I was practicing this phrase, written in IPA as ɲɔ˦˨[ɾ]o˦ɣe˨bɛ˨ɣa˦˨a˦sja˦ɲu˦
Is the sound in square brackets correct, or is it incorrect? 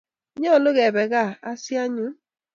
incorrect: l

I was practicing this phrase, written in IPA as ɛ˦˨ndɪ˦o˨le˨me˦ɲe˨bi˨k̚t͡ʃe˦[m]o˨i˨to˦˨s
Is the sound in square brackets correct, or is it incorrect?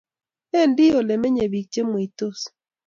correct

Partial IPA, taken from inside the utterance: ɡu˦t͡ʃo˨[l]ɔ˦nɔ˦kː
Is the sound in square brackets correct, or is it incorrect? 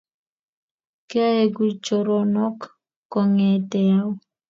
incorrect: ɾ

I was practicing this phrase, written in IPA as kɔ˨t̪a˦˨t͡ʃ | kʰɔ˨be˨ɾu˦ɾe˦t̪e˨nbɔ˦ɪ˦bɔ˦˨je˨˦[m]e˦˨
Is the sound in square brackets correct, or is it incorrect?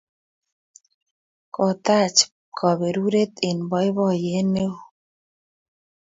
incorrect: n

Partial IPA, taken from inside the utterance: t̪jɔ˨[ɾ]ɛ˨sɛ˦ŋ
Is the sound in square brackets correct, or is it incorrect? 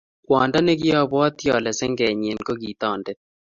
incorrect: l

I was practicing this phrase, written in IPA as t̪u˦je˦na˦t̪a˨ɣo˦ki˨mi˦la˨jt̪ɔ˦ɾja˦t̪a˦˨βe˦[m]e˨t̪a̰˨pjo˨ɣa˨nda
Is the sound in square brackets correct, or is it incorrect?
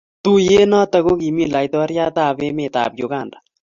correct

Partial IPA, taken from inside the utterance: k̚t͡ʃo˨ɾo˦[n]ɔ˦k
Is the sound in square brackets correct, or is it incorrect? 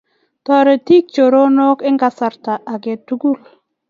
correct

